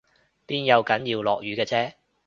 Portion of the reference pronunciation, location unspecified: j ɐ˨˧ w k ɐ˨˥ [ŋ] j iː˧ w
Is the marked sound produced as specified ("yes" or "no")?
no